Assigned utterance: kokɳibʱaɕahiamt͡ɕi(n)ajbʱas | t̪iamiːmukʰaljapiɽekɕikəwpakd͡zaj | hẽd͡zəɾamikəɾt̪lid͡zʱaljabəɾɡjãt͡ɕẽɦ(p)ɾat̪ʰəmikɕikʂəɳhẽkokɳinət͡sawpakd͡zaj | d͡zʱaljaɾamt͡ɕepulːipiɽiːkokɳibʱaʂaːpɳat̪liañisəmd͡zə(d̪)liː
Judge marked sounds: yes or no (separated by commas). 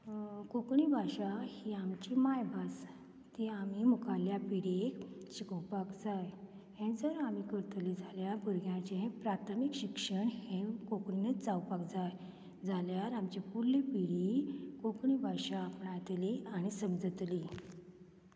no, yes, no